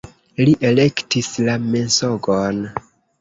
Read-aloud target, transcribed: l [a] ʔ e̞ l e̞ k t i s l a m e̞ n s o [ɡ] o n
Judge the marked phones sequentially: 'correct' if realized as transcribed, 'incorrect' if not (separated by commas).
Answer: incorrect, correct